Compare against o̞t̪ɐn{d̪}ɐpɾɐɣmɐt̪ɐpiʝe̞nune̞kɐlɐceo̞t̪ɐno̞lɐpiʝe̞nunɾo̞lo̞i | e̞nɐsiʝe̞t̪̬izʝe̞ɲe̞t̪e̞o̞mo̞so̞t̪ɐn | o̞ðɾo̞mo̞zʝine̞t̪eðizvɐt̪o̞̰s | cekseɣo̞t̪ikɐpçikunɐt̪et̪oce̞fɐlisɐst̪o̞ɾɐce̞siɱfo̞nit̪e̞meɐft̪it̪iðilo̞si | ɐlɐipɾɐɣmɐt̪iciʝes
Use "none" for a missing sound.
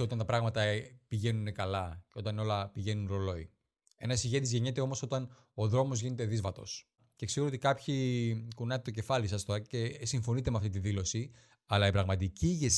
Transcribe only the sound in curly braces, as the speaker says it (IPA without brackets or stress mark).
t̪